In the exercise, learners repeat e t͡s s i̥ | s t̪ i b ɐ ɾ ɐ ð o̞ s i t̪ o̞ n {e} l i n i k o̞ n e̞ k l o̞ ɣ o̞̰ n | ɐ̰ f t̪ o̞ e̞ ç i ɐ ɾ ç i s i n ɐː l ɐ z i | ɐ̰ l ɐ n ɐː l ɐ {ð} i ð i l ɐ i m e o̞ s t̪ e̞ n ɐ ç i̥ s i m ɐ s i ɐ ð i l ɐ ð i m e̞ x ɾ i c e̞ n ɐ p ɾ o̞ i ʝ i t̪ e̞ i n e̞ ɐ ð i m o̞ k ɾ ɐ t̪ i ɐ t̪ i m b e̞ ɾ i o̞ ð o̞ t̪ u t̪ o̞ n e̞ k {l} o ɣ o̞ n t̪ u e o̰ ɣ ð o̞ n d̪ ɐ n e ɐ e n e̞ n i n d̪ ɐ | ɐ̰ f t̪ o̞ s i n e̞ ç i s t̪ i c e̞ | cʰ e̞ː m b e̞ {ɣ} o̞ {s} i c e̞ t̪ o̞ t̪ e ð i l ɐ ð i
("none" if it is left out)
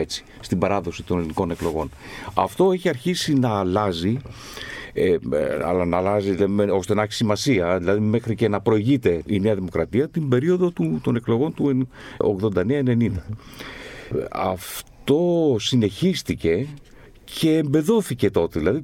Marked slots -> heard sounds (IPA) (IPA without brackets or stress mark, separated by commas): e, z, l, ð, θ